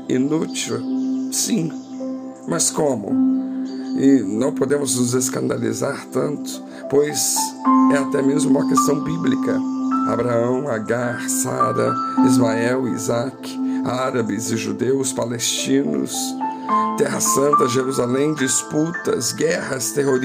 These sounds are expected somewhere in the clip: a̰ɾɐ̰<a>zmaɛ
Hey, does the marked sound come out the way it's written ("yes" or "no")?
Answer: no